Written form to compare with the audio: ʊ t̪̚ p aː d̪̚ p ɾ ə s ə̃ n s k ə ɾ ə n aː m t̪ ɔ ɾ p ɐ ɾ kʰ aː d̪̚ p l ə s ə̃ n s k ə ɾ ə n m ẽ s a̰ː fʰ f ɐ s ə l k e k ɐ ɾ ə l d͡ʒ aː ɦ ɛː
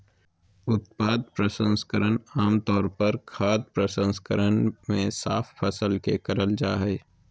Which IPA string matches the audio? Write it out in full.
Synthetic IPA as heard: ʊ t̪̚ p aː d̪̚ p ɾ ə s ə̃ n s k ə ɾ ə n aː m t̪ ɔː ɾ p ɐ ɾ kʰ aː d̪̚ p ɾ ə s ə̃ n s k ə ɾ ə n m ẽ s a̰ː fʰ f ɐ s ə l k e k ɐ ɾ ə l d͡ʒ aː ɦ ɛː